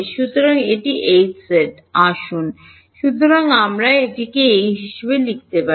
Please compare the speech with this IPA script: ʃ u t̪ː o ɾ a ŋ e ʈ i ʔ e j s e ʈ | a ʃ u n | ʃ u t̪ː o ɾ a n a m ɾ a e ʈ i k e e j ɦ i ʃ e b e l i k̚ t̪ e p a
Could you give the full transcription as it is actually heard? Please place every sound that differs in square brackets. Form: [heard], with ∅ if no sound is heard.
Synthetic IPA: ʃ u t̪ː o ɾ a ŋ e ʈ i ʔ e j s e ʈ | a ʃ u n | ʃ u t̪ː o ɾ a [ŋ] a m ɾ a e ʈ i k e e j ɦ i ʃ e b e l i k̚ t̪ e p a